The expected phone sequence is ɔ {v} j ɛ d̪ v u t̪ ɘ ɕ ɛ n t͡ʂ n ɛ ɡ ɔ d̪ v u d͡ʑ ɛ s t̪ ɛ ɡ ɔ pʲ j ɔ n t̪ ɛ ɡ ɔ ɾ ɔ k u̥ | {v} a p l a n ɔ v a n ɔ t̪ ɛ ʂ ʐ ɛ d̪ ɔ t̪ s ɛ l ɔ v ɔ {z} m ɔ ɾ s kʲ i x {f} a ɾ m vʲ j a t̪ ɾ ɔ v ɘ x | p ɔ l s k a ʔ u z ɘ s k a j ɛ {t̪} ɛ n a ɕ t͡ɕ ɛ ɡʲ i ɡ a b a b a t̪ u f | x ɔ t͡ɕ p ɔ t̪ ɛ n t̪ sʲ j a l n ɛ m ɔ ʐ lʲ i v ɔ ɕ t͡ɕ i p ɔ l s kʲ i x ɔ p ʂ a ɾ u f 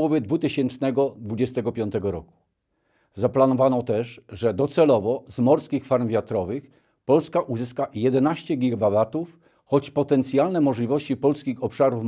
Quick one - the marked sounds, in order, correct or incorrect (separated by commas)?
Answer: correct, incorrect, correct, correct, incorrect